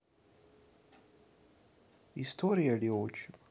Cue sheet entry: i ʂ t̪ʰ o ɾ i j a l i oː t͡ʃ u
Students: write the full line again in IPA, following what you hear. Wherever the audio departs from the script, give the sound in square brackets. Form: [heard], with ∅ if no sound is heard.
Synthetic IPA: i [s] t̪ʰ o ɾ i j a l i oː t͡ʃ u

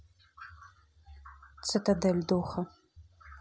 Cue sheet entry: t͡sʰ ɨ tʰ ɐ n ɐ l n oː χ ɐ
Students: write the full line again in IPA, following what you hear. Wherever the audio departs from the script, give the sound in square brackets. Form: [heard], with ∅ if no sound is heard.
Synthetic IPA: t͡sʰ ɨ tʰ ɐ [d] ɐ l [d] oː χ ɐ

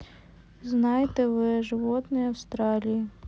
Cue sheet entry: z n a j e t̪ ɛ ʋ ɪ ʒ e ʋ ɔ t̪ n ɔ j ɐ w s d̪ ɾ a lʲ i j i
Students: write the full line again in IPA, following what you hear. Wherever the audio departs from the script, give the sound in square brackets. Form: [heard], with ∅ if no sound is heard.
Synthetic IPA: z n [ɑ] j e t̪ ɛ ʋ ɪ ʒ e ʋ ɔ t̪ n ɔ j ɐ w s [t̪] ɾ [ɑ] lʲ i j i

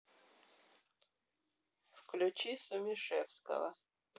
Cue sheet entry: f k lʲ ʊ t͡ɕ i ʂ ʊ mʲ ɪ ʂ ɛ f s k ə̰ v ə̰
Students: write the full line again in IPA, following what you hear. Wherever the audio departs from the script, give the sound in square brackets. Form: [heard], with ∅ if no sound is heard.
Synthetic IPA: f k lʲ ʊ t͡ɕ i [s] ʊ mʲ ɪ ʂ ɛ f s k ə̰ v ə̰

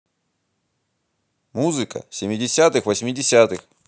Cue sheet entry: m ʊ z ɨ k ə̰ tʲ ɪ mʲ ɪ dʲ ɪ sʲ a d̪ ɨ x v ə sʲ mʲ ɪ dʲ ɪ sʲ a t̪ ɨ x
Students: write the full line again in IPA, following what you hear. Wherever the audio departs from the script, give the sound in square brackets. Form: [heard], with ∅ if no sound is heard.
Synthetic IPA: m [u] z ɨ k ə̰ [sʲ] ɪ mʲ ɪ dʲ ɪ sʲ a [t̪] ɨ x v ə sʲ mʲ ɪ dʲ ɪ sʲ a t̪ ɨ x

